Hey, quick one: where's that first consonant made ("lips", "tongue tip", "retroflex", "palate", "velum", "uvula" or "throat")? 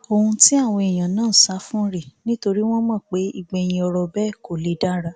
throat